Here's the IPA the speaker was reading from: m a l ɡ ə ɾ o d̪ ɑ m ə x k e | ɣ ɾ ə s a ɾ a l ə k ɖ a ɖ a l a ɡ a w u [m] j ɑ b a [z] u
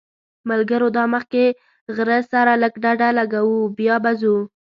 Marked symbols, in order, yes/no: no, yes

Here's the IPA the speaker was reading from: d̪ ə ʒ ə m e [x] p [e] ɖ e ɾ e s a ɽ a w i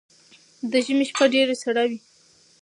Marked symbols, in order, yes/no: no, no

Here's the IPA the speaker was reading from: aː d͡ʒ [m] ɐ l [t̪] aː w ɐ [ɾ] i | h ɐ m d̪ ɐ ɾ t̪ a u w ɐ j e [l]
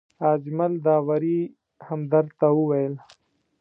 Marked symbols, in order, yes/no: yes, no, yes, yes

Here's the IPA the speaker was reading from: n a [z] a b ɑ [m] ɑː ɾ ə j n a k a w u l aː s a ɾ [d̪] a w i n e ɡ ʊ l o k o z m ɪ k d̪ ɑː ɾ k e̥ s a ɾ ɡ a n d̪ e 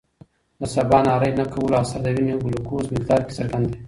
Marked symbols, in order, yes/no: no, no, yes

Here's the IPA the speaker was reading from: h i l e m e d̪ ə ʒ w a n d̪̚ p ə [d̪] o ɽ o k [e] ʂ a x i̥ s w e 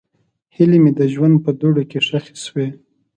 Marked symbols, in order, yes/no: yes, yes

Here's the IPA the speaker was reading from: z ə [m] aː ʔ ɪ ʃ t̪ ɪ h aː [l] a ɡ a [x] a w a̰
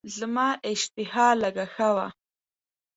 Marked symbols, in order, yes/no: yes, yes, yes

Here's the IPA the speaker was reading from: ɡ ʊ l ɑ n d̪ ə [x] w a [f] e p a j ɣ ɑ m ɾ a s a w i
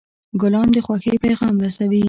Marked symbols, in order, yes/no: yes, no

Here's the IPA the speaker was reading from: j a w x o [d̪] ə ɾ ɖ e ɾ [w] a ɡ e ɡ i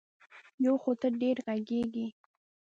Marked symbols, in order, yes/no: no, no

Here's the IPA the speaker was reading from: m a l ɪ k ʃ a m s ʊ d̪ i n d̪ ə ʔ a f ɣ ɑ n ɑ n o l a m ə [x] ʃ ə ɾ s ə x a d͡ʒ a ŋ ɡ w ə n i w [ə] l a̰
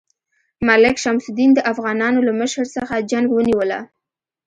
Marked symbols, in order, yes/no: no, yes

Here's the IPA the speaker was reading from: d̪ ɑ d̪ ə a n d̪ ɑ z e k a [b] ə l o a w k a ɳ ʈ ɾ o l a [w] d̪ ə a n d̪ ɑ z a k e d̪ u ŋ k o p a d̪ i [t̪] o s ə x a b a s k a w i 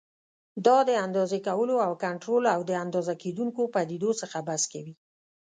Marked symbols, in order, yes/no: no, yes, no

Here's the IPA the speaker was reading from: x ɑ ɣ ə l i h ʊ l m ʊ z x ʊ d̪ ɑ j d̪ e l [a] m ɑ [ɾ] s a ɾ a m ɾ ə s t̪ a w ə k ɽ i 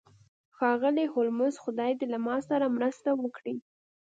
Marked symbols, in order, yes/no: yes, no

